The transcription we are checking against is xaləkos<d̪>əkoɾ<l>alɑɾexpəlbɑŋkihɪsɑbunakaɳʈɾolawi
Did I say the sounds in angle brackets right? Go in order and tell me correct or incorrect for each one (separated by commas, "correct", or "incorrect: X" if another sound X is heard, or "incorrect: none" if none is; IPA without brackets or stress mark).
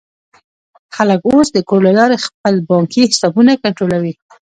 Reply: correct, correct